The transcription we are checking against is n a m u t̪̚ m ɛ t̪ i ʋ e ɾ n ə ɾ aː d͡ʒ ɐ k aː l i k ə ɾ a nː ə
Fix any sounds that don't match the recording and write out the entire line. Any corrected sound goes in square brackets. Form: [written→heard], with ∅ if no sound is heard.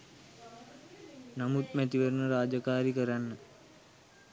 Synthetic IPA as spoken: n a m u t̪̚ m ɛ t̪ i ʋ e ɾ n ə ɾ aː d͡ʒ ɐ k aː [l→ɾ] i k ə ɾ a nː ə

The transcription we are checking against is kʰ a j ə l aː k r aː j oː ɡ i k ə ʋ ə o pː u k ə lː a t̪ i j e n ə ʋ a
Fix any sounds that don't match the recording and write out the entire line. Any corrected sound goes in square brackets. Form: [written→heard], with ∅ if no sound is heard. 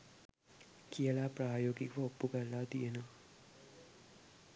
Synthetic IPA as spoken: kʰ [a→i] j ə l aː [k→p] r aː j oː ɡ i k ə ʋ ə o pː u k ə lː a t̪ i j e n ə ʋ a

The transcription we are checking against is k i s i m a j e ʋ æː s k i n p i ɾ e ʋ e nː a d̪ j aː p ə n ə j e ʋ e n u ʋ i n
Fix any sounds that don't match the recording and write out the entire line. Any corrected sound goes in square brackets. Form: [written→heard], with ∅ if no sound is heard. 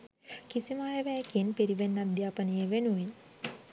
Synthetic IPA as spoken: k i s i m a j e ʋ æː [s→∅] k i n p i ɾ [e→i] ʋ e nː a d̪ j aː p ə n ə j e ʋ e n u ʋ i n

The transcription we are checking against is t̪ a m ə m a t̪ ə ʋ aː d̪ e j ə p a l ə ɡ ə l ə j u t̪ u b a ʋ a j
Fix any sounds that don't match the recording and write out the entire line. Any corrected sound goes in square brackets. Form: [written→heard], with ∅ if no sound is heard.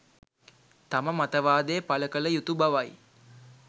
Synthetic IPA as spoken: t̪ a m ə m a t̪ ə ʋ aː d̪ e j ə p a l ə [ɡ→k] ə l ə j u t̪ u b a ʋ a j

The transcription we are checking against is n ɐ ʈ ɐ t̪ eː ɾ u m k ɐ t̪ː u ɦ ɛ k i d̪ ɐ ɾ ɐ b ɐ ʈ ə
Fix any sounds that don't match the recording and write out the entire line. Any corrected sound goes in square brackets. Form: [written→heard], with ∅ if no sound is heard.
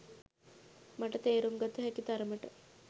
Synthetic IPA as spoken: [n→m] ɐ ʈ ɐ t̪ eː ɾ u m [k→ɡ] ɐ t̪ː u ɦ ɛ k i [d̪→t̪] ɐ ɾ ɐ [b→m] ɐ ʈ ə

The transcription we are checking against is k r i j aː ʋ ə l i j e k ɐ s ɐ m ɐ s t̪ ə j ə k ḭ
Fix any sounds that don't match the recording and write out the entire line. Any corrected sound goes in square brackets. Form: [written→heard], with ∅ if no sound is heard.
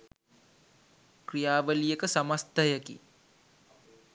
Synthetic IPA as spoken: k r i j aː ʋ ə l i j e k [ɐ→ə] s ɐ m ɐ s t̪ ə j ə k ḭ

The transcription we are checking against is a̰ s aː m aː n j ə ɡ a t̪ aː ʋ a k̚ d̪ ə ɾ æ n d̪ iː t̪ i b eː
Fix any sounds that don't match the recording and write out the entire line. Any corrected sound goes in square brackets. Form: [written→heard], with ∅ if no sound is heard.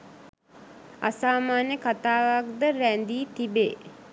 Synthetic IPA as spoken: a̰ s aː m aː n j ə [ɡ→k] a t̪ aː ʋ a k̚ d̪ ə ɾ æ n d̪ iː t̪ i b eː

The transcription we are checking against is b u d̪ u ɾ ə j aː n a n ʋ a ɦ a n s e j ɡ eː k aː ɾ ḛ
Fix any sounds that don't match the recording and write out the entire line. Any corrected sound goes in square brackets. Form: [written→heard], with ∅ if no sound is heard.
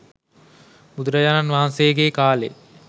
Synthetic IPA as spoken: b u d̪ u ɾ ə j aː n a n ʋ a ɦ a n s e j ɡ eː k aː [ɾ→l] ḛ

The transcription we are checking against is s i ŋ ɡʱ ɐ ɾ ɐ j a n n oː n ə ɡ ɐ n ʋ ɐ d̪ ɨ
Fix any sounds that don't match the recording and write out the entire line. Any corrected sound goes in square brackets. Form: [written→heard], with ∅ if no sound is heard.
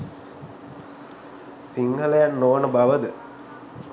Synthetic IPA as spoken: s i ŋ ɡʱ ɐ [ɾ→l] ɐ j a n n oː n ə [ɡ→b] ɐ [n→∅] ʋ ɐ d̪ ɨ

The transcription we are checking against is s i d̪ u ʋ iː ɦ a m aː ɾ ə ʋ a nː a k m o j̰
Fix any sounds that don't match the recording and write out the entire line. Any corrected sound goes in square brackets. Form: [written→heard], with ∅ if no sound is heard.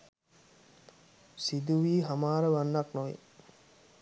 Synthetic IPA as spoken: s i d̪ u ʋ iː ɦ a m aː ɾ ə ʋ a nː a k [m→n] o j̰

